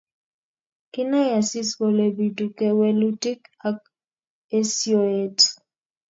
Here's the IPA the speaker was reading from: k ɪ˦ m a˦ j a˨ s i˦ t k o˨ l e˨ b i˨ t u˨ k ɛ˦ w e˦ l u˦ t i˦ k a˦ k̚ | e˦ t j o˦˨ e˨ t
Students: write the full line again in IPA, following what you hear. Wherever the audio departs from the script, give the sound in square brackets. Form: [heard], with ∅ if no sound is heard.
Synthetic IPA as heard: k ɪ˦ [n] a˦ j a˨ s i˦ [s] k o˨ l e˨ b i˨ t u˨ k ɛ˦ w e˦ l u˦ t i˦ k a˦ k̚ | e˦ [s] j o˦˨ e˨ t

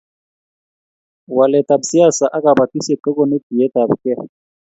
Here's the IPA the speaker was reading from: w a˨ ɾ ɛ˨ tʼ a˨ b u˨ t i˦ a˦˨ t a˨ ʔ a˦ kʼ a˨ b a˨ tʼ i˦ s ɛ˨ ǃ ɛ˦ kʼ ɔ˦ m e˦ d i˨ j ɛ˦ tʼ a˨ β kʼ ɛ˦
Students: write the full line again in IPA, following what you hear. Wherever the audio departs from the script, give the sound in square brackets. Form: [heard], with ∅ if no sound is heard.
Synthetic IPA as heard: w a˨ [l] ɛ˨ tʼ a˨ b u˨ [s] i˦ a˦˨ [s] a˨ ʔ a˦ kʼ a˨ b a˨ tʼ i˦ s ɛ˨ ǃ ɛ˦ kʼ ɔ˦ [n] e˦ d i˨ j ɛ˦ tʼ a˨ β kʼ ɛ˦

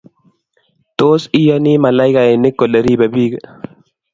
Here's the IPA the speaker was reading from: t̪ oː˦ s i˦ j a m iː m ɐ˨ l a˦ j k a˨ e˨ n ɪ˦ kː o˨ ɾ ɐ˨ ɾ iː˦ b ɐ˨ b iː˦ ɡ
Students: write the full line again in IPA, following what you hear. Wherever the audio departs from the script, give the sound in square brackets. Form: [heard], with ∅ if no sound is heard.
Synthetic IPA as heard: t̪ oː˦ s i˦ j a [n] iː m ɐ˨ l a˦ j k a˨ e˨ n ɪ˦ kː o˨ [l] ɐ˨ ɾ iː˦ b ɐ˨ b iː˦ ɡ

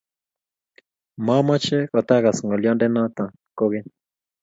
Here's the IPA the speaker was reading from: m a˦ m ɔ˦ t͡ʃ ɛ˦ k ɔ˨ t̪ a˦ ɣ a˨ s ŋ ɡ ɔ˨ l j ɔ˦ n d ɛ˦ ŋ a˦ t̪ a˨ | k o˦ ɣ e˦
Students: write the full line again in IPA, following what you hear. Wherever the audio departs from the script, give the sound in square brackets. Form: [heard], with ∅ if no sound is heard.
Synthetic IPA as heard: m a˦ m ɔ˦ t͡ʃ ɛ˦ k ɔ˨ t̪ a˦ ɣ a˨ s ŋ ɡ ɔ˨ l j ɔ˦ n d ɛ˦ [n] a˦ t̪ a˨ | k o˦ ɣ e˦

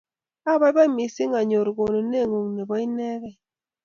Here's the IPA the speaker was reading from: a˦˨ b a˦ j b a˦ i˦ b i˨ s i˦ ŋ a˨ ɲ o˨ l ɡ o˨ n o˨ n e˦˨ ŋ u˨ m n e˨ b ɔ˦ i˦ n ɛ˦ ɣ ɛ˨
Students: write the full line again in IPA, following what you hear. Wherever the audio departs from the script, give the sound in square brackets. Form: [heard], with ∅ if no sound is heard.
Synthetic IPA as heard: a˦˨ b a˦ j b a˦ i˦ [m] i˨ s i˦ ŋ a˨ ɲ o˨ [ɾ] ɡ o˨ n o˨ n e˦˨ ŋ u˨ [ŋ] n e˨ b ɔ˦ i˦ n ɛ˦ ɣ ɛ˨

